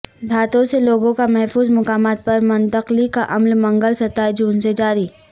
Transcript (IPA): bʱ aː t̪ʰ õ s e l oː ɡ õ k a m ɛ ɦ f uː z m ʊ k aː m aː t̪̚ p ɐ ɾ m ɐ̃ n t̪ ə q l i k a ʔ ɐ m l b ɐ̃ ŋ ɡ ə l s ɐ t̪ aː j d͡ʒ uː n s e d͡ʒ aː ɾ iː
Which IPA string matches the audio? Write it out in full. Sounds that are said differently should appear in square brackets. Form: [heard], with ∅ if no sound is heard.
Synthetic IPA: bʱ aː [t̪] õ s e l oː ɡ õ k a m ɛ ɦ f uː z m ʊ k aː m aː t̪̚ p ɐ ɾ m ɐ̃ n t̪ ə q l i k a ʔ ɐ m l [m] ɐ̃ ŋ ɡ ə l s ɐ t̪ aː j d͡ʒ uː n s e d͡ʒ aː ɾ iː